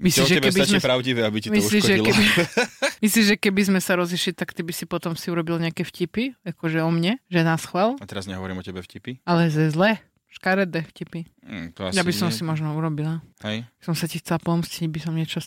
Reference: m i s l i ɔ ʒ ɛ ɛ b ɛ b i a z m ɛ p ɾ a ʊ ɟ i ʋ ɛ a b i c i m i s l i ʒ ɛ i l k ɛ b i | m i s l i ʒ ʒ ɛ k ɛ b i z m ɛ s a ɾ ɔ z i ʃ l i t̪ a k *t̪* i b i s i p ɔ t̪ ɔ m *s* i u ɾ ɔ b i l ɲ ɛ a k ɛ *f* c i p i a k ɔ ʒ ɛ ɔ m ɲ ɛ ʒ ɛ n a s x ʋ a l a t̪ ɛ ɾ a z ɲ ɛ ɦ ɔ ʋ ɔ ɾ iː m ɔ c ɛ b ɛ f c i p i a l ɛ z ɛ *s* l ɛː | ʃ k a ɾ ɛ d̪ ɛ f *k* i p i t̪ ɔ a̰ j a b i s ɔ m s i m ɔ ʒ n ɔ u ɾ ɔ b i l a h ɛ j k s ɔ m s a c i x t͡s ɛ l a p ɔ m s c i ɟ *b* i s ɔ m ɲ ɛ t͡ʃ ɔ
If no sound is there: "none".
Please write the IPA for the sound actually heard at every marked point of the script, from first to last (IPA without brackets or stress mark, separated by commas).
t̪, s, f, z, c, b